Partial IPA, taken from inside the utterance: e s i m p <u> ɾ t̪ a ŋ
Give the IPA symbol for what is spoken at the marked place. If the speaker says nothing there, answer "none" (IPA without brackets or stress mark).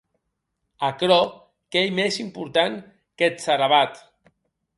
u